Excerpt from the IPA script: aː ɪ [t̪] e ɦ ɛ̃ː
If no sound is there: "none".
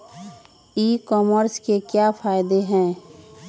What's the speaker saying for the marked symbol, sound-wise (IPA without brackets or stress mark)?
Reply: d̪